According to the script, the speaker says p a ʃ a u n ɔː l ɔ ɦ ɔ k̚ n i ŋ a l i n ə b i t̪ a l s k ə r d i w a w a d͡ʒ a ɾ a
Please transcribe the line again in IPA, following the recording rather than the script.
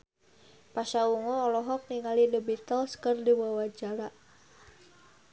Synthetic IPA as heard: p a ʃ a u ŋ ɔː l ɔ ɦ ɔ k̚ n i ŋ a l i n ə b i t̪ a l s k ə r d i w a w a d͡ʒ a ɾ a